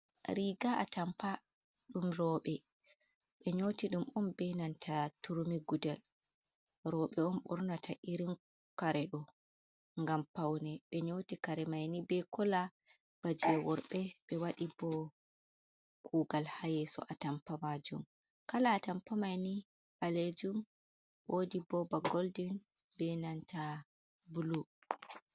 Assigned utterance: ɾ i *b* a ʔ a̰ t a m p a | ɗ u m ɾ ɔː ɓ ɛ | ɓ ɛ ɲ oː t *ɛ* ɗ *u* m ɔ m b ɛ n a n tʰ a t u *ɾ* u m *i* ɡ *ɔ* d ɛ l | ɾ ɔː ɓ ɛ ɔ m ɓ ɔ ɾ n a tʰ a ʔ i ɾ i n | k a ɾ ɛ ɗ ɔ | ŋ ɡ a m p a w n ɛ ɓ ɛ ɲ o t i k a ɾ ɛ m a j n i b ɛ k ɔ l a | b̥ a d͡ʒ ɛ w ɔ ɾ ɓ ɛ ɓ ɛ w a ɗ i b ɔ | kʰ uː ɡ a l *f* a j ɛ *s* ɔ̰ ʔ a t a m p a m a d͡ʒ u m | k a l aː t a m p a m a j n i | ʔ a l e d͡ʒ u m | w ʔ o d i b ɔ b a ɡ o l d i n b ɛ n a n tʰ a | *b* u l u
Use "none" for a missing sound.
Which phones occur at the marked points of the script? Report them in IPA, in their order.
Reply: ɡ, i, u, ɾ, i, u, h, s, b

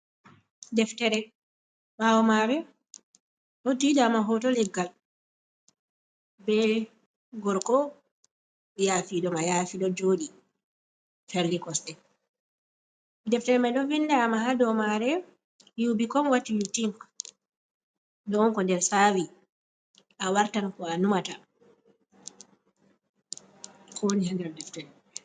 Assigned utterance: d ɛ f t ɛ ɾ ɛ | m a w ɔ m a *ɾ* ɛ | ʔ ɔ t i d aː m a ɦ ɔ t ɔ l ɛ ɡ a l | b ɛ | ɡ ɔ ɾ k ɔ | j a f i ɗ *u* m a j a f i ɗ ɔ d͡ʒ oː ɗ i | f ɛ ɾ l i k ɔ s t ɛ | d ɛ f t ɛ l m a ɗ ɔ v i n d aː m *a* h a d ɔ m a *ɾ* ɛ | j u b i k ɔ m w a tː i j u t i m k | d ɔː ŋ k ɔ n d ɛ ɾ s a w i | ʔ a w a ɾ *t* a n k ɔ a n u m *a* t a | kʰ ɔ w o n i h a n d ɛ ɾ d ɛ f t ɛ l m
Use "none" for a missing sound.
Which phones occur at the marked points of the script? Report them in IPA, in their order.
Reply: ɾ, ɔ, a, ɾ, t, a

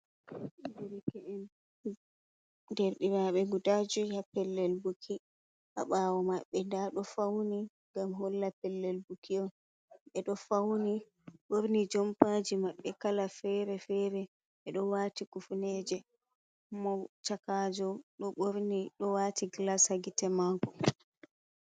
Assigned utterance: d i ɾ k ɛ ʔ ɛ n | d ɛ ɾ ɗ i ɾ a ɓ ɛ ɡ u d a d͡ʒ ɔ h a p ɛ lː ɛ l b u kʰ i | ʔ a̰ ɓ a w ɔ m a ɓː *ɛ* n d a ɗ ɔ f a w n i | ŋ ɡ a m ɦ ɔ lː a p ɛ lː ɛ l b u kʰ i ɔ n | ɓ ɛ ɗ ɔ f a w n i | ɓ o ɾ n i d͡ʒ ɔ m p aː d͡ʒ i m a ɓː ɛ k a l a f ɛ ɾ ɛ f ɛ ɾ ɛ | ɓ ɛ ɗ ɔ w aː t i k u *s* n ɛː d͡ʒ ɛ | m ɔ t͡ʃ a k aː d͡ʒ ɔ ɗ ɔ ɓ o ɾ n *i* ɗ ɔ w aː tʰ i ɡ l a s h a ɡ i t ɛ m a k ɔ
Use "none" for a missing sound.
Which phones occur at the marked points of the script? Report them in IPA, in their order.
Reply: ɛ, f, i

